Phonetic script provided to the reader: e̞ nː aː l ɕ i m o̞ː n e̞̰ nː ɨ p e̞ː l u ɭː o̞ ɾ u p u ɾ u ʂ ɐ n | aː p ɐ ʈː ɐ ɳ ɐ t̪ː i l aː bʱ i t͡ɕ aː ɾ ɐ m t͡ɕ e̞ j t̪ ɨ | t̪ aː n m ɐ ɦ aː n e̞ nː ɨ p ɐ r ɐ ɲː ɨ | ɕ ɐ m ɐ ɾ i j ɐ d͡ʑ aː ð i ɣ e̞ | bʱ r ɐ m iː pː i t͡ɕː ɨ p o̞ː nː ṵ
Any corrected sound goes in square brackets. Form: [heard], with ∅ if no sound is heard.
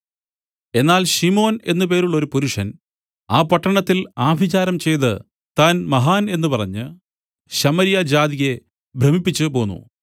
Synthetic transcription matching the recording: e̞ nː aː l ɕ i m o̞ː n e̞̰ nː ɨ p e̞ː [ɾ] u ɭː o̞ ɾ u p u ɾ u ʂ ɐ n | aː p ɐ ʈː ɐ ɳ ɐ t̪ː i l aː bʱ i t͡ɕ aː ɾ ɐ m t͡ɕ e̞ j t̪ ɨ | t̪ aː n m ɐ ɦ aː n e̞ nː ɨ p ɐ r ɐ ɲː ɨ | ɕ ɐ m ɐ ɾ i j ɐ d͡ʑ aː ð i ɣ e̞ | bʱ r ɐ m [i] pː i t͡ɕː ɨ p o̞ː nː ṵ